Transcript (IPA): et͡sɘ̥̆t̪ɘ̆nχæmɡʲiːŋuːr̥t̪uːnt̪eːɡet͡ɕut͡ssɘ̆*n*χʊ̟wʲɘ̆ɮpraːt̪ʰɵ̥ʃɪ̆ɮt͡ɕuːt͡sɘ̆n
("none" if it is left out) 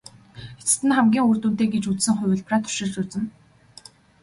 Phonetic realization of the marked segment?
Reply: ŋ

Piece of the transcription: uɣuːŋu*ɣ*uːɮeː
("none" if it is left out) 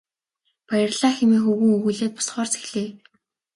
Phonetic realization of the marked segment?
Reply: ɣ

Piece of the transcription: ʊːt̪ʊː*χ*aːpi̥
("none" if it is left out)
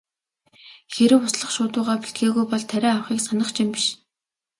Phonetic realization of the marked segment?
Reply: ʁ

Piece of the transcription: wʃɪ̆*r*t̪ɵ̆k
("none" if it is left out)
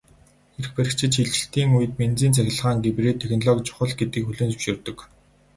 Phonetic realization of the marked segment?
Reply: r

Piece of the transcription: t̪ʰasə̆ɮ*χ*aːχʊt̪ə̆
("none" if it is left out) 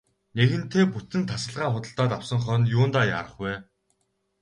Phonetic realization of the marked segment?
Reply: ʁ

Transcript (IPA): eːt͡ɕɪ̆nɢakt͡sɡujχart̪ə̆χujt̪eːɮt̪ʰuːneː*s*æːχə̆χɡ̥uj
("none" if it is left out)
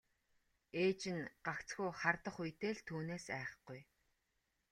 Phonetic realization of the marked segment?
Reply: s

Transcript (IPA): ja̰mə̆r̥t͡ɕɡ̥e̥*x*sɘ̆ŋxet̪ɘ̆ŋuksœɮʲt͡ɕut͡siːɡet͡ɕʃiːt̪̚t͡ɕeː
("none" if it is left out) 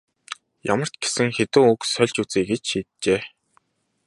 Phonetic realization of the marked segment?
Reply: none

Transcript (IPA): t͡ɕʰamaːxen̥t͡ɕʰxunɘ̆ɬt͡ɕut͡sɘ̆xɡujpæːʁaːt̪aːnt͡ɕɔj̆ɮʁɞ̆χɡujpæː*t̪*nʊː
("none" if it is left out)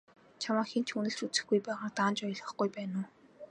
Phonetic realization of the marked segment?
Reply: none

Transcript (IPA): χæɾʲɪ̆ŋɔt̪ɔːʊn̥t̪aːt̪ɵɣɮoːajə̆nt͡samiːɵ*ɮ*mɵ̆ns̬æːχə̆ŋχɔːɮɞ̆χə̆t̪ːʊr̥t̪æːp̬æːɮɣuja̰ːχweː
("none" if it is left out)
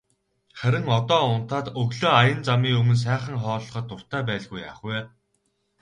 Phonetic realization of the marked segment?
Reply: none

